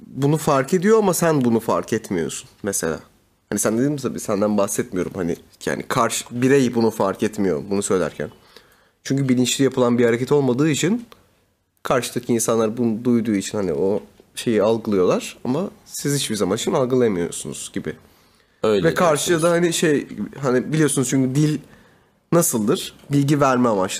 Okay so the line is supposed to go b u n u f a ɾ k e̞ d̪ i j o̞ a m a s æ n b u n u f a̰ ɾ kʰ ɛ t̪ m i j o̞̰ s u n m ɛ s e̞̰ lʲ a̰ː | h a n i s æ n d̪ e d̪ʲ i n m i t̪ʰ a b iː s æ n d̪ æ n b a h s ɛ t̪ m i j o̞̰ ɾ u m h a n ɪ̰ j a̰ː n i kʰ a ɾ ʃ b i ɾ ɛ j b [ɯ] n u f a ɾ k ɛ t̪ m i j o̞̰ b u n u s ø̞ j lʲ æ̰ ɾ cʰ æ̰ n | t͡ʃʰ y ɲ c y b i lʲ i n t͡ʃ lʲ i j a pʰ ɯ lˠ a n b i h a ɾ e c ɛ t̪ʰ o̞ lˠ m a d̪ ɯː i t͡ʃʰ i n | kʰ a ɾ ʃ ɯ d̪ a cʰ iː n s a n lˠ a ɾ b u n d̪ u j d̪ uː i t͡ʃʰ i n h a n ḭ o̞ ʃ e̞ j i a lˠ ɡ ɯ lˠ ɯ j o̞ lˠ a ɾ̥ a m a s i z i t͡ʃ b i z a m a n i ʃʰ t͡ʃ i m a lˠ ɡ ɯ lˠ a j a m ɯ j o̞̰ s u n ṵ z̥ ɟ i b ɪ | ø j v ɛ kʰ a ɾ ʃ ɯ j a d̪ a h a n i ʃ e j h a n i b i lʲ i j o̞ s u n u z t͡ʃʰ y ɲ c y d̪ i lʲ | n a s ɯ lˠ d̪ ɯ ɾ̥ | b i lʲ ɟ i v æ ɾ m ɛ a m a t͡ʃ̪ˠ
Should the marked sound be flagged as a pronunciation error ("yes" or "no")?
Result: yes